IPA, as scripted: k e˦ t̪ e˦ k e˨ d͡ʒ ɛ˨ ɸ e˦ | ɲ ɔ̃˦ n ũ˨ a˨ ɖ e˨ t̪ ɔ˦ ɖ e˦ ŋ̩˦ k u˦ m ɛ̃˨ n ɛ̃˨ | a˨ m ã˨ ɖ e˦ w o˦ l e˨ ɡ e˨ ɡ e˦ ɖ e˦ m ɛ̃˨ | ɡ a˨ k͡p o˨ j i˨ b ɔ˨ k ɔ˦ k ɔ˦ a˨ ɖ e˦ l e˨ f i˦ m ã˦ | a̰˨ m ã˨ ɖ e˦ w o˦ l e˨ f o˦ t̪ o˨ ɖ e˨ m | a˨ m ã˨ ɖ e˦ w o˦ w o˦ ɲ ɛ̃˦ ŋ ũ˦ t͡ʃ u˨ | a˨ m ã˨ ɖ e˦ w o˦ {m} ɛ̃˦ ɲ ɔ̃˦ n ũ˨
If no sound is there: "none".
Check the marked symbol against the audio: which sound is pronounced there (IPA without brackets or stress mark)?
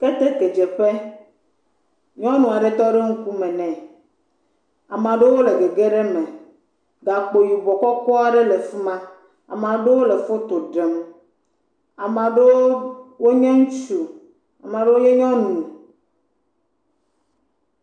ɲ